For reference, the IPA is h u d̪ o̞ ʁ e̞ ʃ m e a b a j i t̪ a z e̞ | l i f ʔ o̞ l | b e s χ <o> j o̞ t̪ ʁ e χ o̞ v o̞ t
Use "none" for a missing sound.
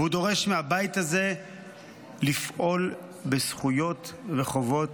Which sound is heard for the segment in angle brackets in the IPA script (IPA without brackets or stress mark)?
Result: u